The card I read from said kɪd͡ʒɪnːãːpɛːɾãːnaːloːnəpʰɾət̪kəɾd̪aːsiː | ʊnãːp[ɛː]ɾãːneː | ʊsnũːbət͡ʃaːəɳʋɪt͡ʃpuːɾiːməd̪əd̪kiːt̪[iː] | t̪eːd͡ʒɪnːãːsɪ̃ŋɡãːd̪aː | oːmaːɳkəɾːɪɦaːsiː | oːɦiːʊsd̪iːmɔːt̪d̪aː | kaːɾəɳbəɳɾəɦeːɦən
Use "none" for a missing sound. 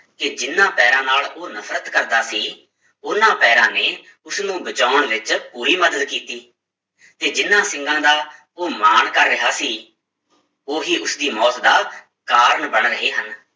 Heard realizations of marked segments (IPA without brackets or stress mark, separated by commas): ɛː, iː